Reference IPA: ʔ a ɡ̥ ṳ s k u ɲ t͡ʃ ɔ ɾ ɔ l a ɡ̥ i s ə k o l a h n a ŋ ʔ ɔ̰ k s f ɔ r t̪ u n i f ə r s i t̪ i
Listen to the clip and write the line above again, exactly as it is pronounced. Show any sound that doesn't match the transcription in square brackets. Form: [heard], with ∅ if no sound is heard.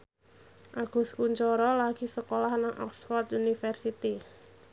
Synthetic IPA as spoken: ʔ a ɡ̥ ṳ s k u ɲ t͡ʃ ɔ ɾ ɔ l a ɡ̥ i s ə k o l a h n a ŋ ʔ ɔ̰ k s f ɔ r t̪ u n i f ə r s i t̪ i